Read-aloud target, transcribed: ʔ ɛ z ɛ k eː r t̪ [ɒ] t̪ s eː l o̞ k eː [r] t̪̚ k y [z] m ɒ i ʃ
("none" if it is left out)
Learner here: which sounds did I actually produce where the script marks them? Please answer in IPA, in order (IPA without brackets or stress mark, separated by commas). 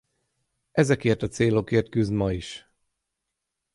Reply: ɒ, r, z